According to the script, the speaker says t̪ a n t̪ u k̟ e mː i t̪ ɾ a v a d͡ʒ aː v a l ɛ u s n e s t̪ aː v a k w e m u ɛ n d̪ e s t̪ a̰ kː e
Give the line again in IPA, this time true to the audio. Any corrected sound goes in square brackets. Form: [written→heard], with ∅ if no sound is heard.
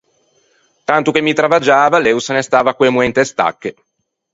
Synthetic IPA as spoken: t̪ a n t̪ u k̟ e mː i t̪ ɾ a v a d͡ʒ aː v a l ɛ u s n e s t̪ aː v a k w e m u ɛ n [d̪→t̪] e s t̪ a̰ kː e